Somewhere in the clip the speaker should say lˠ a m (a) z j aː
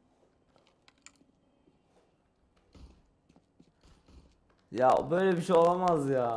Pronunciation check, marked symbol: correct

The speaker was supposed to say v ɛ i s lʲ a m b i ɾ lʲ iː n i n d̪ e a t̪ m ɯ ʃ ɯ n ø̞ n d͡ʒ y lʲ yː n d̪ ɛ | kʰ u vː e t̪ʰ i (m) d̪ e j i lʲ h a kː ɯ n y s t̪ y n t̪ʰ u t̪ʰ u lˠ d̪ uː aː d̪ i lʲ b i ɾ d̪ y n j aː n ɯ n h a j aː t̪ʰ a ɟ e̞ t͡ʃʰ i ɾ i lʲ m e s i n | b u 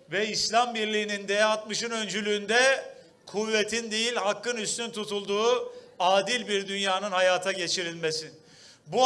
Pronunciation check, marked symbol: incorrect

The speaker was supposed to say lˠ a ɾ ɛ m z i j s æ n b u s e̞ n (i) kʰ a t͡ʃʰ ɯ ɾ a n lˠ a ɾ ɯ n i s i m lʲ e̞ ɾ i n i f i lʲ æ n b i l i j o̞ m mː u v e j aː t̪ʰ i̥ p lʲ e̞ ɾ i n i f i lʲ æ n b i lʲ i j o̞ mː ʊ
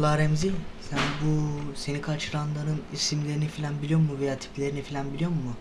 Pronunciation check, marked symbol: correct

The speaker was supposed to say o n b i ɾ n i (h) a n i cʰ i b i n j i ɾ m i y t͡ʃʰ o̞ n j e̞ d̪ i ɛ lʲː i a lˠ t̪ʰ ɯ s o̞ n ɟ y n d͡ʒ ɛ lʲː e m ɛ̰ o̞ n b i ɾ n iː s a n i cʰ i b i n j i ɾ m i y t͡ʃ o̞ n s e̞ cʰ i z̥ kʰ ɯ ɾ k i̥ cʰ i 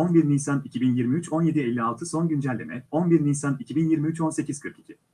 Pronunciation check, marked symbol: incorrect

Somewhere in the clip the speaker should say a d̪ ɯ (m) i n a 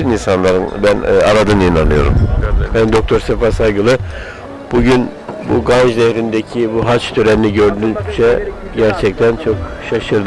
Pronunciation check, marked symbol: incorrect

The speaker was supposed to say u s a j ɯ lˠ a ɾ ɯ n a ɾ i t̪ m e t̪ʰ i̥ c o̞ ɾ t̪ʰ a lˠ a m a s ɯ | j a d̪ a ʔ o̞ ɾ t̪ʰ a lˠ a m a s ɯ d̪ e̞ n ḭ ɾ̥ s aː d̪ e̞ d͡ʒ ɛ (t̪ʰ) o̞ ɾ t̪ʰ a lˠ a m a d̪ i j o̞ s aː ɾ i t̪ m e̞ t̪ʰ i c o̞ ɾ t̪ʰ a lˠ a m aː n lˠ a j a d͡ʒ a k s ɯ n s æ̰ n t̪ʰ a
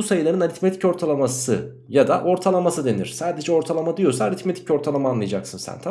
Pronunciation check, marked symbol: incorrect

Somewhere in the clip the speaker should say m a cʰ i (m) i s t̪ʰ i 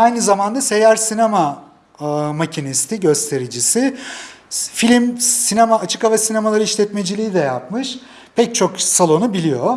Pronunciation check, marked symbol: incorrect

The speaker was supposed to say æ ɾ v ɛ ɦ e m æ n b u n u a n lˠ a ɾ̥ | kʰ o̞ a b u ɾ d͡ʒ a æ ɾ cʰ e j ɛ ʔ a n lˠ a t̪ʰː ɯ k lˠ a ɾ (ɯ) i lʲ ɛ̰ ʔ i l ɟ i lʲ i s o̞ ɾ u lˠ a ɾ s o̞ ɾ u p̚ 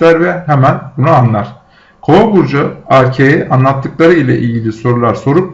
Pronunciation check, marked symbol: correct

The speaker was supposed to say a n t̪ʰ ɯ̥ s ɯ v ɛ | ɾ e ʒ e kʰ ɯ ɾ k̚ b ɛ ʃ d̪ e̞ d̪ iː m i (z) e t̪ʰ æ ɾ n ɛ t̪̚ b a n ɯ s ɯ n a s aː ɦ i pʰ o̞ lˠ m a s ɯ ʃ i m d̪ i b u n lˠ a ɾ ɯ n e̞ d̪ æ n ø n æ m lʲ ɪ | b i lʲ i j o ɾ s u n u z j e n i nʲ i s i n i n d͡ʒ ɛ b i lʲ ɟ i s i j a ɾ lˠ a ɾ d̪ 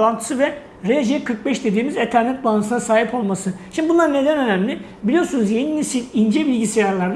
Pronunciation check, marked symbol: correct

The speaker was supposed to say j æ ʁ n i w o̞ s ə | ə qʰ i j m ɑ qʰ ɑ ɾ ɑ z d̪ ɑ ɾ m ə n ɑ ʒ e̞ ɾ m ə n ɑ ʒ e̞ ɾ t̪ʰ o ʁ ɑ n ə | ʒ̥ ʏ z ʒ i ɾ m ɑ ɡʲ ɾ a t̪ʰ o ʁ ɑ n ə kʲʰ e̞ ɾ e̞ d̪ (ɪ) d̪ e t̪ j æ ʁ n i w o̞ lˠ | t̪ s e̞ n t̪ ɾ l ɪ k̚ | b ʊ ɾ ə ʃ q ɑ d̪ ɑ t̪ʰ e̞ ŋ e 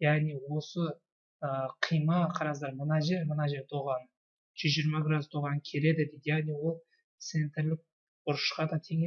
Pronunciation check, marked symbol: correct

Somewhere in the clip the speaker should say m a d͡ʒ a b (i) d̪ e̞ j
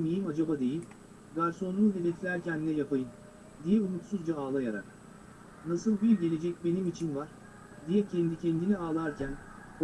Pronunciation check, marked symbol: incorrect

